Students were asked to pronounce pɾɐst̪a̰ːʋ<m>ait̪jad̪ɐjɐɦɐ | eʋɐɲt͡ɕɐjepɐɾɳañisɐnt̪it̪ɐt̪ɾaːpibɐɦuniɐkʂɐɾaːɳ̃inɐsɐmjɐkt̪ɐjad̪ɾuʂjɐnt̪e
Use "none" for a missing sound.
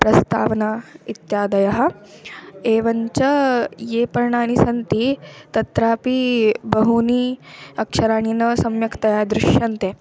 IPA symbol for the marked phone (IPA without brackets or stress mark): n